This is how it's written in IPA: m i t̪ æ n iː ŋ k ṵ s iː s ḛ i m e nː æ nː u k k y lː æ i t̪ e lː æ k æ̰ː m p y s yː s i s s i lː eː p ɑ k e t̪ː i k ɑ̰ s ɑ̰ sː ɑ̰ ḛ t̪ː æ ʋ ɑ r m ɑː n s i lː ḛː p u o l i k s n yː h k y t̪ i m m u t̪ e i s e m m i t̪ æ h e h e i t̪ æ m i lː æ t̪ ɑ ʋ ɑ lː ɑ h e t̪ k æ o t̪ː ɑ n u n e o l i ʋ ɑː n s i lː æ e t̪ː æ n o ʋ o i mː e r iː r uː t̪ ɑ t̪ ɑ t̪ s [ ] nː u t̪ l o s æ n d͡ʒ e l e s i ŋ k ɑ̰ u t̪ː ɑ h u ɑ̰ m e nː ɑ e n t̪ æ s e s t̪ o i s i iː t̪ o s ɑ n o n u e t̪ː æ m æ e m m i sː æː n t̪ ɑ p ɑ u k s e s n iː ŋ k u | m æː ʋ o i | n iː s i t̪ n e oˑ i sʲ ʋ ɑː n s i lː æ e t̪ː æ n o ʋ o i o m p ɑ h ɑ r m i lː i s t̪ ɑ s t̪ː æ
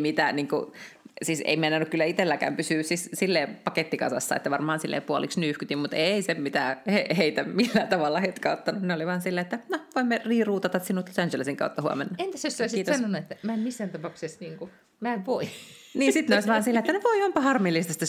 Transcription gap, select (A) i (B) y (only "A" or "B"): A